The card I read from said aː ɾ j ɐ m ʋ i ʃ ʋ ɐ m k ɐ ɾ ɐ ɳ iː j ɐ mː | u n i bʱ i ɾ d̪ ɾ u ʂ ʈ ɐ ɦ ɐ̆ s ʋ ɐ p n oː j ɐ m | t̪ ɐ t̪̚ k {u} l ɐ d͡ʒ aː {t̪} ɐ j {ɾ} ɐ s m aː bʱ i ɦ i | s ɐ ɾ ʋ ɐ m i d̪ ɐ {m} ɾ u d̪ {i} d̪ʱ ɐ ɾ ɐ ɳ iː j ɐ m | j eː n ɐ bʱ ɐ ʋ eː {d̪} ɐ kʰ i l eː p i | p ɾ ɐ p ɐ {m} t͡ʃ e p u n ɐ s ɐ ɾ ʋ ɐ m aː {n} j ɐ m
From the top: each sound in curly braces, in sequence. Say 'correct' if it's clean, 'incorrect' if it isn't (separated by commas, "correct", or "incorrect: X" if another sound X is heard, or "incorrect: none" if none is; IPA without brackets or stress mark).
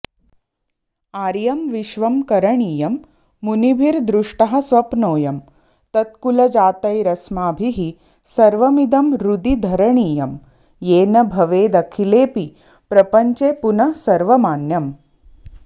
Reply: correct, correct, correct, correct, correct, correct, incorrect: ɲ, correct